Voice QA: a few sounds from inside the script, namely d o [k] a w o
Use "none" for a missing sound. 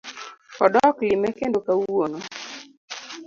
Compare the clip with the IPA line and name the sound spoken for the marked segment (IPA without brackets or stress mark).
k